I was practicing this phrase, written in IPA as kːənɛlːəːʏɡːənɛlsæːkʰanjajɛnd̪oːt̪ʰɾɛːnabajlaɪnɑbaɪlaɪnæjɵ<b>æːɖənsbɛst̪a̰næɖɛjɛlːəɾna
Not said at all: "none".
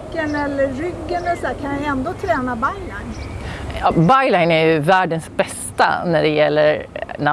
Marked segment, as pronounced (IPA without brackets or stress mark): v